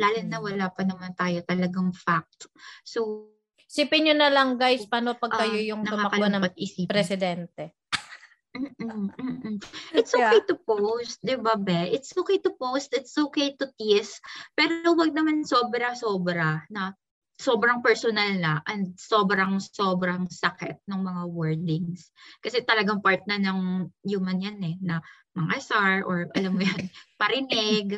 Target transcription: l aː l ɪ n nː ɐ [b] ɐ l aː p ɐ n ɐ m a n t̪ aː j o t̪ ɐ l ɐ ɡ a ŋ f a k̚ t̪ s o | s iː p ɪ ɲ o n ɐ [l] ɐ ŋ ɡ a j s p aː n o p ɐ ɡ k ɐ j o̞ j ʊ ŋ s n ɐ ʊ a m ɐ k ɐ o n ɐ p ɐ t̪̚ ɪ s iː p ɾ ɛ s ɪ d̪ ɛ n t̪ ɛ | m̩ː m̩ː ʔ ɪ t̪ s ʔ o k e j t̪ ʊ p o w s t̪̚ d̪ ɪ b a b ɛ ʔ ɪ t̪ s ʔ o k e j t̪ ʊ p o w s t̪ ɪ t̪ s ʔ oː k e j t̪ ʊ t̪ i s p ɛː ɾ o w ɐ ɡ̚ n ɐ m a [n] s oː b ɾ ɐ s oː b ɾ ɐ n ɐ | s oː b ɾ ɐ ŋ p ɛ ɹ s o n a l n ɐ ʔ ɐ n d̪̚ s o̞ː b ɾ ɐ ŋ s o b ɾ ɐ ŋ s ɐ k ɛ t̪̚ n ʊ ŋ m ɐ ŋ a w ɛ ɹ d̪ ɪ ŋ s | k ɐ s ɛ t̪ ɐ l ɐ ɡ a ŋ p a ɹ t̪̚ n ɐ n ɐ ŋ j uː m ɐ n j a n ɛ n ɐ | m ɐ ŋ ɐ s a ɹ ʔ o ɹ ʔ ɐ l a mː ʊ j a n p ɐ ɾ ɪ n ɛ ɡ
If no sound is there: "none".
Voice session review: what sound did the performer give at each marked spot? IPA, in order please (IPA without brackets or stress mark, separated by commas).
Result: w, l, n